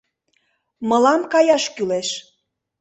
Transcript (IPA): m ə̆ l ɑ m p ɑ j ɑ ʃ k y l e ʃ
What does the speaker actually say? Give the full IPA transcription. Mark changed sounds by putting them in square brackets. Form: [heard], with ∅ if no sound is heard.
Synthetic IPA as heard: m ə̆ l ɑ m [k] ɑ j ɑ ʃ k y l e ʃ